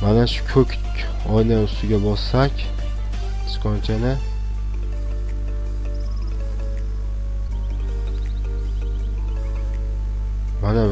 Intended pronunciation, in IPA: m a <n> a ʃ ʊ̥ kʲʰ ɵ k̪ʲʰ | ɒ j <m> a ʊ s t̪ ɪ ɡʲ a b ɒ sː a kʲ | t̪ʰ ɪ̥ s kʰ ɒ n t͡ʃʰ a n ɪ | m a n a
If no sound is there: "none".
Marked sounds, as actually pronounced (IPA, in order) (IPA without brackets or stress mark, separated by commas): n, n